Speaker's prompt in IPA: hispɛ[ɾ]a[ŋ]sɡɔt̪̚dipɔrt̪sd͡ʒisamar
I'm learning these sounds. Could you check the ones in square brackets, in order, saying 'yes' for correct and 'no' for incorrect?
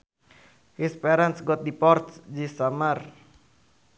yes, no

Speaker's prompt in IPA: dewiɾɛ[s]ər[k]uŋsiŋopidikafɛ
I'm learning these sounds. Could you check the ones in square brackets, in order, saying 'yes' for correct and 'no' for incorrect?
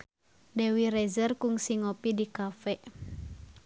no, yes

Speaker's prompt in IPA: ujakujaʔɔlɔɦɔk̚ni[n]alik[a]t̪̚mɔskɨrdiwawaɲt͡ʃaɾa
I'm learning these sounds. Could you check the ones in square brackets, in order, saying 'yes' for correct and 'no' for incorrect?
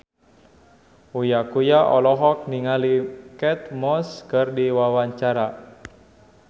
no, no

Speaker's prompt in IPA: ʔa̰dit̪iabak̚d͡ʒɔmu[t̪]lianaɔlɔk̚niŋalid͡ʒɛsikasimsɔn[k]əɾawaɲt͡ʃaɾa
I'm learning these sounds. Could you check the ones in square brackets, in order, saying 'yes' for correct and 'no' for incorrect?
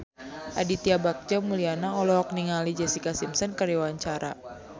no, yes

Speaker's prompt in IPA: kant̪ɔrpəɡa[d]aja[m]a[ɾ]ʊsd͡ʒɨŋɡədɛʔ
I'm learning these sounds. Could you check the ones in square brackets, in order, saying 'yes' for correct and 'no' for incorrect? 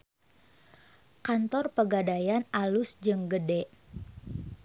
yes, no, no

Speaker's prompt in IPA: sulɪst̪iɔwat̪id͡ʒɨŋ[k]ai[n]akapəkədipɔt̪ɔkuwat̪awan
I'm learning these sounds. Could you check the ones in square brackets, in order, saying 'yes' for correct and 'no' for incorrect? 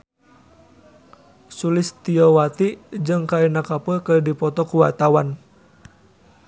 yes, yes

